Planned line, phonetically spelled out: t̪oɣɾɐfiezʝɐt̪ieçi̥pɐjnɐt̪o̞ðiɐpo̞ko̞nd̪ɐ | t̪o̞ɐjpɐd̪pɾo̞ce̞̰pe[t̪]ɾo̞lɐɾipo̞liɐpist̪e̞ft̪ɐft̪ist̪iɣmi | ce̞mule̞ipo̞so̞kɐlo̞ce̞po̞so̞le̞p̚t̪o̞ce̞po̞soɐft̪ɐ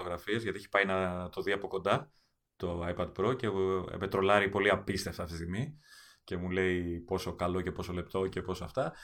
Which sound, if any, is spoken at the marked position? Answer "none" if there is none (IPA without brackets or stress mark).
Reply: t̪